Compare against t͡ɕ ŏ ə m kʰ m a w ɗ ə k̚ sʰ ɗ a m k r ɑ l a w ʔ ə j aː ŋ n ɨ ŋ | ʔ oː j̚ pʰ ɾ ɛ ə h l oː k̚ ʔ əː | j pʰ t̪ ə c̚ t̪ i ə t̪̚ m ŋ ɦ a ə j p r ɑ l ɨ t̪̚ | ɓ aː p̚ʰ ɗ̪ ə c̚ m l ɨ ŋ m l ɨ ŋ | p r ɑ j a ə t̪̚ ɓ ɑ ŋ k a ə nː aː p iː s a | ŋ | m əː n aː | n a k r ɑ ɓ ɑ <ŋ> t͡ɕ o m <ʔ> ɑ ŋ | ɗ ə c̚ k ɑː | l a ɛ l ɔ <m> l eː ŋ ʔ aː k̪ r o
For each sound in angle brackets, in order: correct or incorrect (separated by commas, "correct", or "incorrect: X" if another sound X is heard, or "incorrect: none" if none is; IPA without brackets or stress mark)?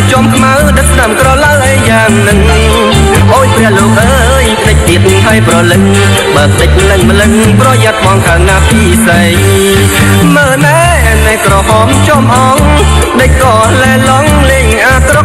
incorrect: m, correct, incorrect: ŋ